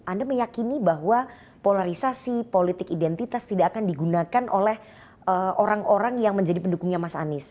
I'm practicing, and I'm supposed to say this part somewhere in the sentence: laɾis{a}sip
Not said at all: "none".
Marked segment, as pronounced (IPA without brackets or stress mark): a